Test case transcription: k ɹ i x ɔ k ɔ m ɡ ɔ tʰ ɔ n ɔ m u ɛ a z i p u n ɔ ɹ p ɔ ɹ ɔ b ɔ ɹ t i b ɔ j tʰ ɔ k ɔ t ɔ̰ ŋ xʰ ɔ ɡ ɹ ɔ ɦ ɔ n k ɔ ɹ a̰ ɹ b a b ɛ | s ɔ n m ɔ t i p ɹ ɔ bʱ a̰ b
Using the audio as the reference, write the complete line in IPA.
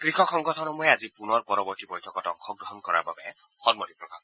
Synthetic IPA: k ɹ i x ɔ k ɔ ŋ ɡ ɔ tʰ ɔ n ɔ m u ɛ a z i p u n ɔ ɹ p ɔ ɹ ɔ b ɔ ɹ t i b ɔ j tʰ ɔ k ɔ t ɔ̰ ŋ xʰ ɔ ɡ ɹ ɔ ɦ ɔ n k ɔ ɹ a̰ ɹ b a b ɛ | x ɔ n m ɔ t i p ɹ ɔ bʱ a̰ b